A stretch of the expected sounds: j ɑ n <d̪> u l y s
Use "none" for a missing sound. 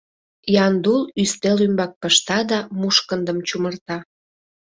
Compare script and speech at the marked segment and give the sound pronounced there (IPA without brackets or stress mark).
d̪